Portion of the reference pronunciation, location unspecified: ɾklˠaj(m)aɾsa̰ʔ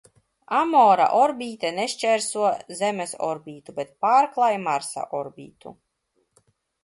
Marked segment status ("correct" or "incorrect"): correct